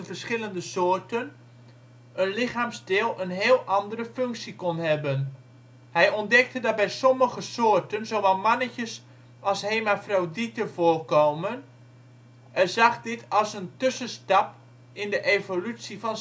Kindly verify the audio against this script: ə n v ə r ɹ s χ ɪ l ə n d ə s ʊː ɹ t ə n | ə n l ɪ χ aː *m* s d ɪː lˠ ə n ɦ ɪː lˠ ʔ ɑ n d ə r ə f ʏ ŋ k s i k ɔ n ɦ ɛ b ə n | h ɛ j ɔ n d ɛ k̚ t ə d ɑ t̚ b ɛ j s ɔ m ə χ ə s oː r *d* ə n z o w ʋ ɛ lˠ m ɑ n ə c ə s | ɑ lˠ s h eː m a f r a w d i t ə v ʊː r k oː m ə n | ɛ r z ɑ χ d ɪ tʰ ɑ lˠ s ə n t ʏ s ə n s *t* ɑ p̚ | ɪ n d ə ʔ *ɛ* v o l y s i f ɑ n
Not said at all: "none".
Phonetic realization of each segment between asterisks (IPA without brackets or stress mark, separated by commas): m, t, t, e